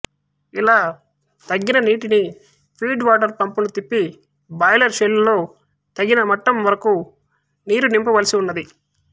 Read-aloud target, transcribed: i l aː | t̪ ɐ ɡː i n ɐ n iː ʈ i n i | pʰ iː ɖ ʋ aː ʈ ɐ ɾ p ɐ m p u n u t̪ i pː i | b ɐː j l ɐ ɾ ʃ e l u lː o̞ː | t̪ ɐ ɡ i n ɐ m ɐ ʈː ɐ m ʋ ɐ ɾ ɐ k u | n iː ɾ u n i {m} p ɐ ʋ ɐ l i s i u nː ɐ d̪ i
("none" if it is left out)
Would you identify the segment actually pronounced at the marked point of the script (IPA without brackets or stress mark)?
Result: m